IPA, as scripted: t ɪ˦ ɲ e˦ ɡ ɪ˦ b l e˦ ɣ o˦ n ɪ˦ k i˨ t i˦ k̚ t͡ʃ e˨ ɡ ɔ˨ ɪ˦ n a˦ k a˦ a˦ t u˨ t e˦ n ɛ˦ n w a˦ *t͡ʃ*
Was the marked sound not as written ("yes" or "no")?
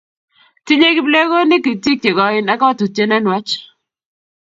no